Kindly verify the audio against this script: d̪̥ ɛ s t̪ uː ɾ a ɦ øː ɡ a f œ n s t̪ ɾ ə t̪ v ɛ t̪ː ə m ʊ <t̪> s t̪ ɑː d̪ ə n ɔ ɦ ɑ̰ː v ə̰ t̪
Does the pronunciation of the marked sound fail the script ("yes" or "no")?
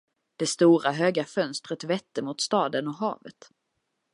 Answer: no